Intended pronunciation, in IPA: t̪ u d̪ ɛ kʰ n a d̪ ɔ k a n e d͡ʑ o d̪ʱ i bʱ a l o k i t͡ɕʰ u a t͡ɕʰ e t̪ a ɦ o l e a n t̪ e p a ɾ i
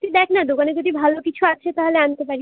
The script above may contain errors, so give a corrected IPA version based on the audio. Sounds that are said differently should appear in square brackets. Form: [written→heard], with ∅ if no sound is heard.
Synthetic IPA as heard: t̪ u d̪ ɛ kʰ n a d̪ [ɔ→o] k a n e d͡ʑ o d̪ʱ i bʱ a l o k i t͡ɕʰ u a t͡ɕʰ e t̪ a ɦ o l e a n t̪ e p a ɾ i